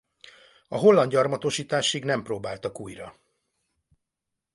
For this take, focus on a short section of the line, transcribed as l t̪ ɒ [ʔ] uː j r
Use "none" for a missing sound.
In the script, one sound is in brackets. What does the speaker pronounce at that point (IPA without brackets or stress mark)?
k